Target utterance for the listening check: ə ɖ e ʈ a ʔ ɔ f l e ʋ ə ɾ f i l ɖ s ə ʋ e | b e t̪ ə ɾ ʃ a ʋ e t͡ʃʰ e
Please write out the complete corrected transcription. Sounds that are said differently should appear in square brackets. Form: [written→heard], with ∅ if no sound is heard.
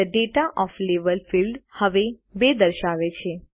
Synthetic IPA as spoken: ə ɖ e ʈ a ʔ ɔ f l e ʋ ə [ɾ→l] f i l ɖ [s→h] ə ʋ e | b e [t̪→d̪] ə ɾ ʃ a ʋ e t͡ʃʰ e